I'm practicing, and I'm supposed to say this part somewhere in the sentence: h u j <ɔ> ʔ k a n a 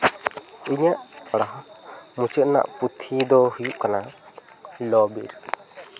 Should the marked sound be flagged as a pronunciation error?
yes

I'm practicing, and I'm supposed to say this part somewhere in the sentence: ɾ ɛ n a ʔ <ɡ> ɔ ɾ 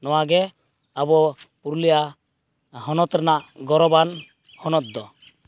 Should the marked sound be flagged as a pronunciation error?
no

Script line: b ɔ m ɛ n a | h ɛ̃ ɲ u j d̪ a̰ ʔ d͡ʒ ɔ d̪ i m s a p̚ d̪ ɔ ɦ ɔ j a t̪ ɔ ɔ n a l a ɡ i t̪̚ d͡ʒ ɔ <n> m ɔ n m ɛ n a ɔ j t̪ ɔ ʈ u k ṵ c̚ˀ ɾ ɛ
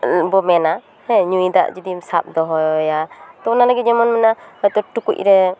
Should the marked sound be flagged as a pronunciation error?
yes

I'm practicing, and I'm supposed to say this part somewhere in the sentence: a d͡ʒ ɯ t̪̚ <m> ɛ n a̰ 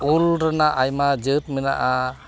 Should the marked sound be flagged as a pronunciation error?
no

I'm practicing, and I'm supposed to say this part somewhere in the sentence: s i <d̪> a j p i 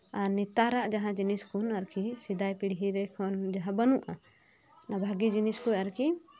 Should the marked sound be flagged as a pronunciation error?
no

